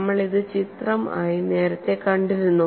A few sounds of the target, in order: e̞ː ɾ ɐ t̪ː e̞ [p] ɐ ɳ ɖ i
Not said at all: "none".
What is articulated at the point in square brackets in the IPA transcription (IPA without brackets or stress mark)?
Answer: k